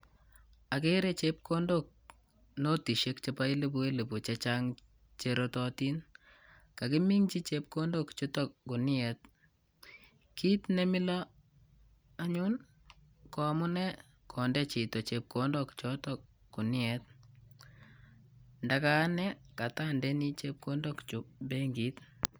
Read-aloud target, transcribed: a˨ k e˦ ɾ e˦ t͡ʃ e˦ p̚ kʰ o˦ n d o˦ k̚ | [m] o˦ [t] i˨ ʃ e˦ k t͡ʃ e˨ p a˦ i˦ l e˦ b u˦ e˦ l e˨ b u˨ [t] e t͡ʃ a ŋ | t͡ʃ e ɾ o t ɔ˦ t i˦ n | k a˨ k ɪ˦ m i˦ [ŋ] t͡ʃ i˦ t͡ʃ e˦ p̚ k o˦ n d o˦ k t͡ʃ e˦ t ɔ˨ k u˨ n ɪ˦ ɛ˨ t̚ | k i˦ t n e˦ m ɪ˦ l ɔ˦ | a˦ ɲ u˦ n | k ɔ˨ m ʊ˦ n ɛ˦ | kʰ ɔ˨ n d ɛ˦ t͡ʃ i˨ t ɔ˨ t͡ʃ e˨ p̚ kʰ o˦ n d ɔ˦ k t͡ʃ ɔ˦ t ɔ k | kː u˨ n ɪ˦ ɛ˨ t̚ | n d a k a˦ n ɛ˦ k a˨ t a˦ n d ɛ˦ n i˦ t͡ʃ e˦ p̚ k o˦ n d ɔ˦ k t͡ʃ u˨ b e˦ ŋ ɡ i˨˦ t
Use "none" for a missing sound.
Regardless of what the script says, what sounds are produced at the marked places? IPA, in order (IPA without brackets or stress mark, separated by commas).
n, t, t͡ʃ, ŋ